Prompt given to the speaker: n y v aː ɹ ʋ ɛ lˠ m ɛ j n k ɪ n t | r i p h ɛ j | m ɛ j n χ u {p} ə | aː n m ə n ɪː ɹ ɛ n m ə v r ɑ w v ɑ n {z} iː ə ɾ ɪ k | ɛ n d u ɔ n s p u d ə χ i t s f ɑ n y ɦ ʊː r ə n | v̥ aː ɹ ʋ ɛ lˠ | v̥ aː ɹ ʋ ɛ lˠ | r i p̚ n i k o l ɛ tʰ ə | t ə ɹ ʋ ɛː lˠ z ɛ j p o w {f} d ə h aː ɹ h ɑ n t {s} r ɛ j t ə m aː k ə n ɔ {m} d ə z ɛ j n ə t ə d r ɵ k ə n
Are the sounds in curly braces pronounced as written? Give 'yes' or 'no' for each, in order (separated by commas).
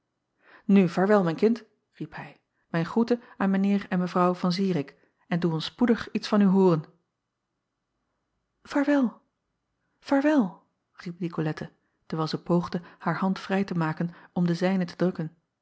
no, yes, no, no, yes